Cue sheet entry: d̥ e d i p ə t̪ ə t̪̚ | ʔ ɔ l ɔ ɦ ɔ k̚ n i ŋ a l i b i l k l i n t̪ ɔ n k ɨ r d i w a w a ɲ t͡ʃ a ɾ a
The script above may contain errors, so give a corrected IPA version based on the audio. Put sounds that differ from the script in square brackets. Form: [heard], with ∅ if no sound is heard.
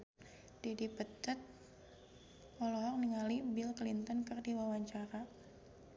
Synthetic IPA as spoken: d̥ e d i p ə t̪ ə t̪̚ | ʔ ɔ l ɔ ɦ ɔ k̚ n i ŋ a l i b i l k l i n t̪ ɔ n k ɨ r d i w a w a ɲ t͡ʃ a ɾ a